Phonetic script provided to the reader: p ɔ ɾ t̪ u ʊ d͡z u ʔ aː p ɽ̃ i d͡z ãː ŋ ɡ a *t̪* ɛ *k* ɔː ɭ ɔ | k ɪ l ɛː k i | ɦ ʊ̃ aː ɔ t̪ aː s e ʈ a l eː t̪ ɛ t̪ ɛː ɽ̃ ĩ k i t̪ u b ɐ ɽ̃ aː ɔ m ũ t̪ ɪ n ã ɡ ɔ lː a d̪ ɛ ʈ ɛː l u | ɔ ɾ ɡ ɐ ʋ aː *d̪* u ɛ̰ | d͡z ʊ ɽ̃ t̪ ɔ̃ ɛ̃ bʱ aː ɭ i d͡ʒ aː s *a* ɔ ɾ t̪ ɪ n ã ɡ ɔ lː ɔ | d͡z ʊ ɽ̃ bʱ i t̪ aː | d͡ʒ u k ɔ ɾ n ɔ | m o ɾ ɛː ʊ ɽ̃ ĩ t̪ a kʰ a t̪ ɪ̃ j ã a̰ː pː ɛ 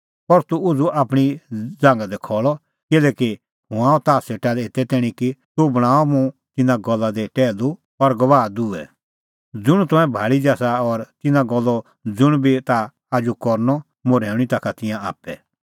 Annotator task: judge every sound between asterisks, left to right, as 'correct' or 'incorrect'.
incorrect, incorrect, correct, correct

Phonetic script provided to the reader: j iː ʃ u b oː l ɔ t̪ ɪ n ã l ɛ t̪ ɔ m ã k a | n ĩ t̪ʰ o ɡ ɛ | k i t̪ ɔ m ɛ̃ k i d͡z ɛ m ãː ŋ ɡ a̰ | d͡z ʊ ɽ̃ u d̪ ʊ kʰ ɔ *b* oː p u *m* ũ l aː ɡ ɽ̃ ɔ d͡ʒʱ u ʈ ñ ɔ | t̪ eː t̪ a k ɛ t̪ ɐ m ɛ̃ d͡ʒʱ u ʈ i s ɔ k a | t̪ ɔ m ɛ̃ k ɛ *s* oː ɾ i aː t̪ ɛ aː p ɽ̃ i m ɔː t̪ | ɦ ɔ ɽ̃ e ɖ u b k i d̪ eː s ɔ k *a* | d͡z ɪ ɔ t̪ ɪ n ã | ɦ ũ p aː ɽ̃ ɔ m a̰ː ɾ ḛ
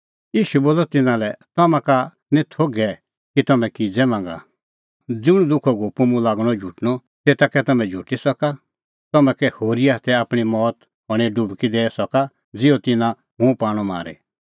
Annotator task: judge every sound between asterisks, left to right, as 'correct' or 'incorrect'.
incorrect, correct, incorrect, correct

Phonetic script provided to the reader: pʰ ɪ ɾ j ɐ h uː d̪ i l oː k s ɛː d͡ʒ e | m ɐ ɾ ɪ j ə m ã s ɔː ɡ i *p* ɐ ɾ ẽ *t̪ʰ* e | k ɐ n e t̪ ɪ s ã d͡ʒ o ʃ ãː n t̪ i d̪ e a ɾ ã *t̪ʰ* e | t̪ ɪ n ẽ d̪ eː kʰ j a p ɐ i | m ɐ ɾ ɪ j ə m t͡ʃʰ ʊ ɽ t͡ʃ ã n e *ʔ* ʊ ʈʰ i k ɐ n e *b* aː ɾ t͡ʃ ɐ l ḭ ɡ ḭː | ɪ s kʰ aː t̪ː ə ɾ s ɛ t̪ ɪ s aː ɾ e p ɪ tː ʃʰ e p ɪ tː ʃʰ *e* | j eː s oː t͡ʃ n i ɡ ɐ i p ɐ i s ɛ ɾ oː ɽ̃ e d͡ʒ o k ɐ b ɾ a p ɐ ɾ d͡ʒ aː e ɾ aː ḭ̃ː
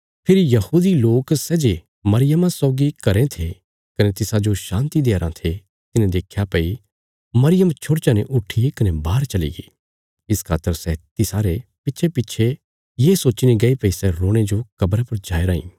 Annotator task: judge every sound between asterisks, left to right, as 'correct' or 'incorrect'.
incorrect, correct, correct, correct, correct, correct

